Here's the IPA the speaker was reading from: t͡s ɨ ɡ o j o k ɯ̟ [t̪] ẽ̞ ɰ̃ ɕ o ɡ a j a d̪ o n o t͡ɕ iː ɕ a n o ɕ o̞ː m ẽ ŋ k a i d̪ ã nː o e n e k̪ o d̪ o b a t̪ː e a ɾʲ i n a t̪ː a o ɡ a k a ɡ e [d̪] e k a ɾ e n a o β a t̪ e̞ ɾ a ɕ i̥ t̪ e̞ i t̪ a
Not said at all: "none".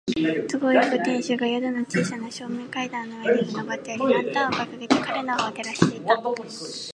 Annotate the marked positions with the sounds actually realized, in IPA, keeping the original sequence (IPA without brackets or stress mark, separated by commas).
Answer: t̪, t̪